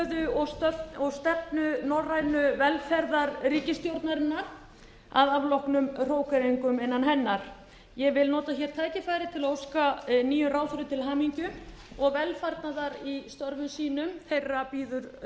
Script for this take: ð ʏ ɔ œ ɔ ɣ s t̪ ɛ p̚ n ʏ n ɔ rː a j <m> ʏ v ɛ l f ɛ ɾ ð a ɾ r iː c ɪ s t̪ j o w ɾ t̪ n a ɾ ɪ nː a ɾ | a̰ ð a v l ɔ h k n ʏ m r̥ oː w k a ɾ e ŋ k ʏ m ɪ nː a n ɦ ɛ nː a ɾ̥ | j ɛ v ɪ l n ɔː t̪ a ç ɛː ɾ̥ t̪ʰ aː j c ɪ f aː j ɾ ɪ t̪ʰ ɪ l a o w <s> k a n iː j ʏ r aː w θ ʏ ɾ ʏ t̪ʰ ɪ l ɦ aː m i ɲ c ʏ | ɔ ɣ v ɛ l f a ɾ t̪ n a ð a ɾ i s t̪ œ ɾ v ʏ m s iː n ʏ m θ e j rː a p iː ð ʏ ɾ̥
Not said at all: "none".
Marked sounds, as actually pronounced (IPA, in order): n, s

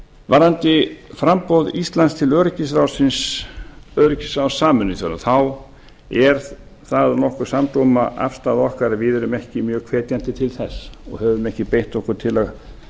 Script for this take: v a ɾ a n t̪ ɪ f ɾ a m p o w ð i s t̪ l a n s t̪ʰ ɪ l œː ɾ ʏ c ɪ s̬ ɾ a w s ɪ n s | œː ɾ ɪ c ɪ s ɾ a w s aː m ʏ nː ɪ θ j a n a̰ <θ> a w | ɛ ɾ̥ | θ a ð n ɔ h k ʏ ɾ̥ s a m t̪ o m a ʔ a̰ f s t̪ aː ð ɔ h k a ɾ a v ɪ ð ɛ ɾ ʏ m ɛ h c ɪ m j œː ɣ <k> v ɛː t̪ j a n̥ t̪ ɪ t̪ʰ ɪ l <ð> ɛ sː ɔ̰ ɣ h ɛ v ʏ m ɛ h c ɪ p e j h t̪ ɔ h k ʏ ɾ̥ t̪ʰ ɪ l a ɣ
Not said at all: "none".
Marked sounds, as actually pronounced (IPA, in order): θ, kʰ, θ

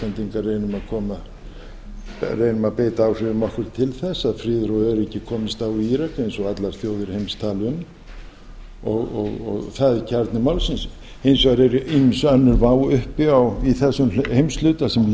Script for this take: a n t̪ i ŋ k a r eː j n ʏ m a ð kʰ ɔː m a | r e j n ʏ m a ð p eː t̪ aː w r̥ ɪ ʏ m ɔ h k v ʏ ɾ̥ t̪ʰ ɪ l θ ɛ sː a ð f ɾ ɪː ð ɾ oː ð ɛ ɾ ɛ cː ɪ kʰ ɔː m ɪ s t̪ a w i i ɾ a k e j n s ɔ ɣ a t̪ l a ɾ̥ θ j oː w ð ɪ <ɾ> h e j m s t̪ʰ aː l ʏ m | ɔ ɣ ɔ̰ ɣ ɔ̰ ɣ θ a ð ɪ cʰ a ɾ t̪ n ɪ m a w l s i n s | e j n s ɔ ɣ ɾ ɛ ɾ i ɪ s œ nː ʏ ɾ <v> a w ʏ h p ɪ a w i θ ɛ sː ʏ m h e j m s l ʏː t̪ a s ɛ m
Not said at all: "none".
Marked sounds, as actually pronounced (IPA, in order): ɾ, v

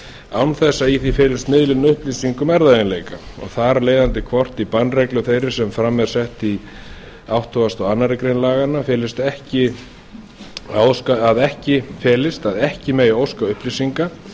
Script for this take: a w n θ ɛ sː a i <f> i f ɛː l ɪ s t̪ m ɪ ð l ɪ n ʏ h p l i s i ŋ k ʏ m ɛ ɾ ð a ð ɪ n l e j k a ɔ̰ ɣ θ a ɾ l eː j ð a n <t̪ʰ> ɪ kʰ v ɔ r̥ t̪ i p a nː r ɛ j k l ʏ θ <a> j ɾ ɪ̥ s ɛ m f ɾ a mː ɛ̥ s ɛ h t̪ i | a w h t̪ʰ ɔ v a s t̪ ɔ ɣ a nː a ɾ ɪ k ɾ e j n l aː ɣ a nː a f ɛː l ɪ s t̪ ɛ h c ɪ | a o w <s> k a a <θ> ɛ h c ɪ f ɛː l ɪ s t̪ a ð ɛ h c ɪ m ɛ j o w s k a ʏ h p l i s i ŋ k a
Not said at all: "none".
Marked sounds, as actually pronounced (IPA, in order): θ, t̪, e, s, ð

